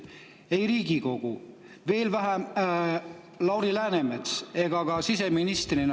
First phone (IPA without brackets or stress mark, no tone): e̞